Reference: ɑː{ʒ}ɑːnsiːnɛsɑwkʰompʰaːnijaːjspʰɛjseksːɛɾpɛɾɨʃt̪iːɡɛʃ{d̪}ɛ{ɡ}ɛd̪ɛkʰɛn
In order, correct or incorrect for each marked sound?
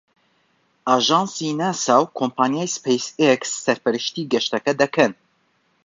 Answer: correct, incorrect, incorrect

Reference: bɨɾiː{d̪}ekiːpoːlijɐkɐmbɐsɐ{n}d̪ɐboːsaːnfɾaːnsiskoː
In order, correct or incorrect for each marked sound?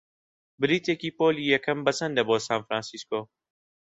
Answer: incorrect, correct

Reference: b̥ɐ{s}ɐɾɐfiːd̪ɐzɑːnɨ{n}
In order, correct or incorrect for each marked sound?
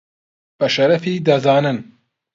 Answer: incorrect, correct

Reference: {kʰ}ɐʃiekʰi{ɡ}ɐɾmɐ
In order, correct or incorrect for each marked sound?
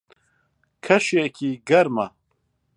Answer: correct, correct

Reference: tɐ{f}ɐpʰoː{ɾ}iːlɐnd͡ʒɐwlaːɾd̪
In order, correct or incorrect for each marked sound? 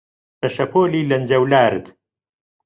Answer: incorrect, incorrect

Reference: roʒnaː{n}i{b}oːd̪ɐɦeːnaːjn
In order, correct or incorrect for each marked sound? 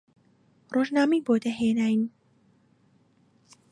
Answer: incorrect, correct

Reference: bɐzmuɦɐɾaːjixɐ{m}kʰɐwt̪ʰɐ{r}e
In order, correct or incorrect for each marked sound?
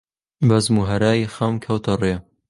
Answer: correct, correct

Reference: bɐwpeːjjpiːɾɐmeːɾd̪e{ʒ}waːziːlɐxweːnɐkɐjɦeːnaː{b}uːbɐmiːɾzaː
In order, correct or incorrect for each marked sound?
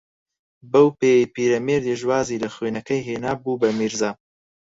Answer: correct, correct

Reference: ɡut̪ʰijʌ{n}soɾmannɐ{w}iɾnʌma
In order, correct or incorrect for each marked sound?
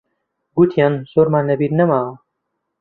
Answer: correct, incorrect

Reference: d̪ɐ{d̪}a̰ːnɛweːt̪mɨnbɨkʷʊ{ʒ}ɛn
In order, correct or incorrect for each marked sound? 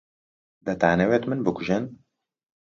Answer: incorrect, correct

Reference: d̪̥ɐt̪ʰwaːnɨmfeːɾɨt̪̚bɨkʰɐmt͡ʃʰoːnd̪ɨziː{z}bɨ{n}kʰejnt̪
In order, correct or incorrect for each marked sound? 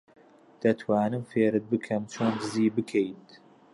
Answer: incorrect, incorrect

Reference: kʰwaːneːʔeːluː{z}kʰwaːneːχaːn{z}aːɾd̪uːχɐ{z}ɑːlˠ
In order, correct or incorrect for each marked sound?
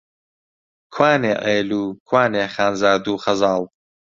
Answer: incorrect, correct, correct

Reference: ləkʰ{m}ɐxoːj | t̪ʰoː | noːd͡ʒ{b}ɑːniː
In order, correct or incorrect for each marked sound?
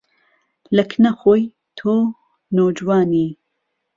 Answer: incorrect, incorrect

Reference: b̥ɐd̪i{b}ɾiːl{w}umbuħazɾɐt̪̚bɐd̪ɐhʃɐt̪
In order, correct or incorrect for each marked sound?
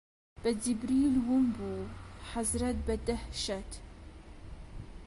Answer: correct, correct

